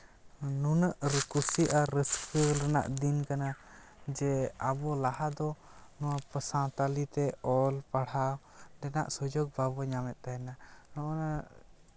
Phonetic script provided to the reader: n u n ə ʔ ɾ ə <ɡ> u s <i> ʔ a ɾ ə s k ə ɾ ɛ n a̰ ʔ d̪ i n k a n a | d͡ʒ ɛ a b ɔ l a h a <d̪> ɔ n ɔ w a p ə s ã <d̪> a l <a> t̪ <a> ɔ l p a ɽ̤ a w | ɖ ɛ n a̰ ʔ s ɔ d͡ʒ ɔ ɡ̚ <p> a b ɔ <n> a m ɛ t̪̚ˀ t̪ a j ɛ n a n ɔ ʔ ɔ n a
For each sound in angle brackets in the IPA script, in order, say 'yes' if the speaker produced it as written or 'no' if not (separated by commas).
no, yes, yes, no, no, no, no, no